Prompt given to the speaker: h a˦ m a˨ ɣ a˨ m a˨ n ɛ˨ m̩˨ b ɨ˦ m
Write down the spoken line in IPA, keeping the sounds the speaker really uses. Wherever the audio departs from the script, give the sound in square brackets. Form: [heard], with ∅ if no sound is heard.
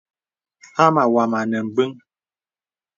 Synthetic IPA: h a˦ m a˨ [w] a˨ m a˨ n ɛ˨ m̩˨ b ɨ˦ [ŋ]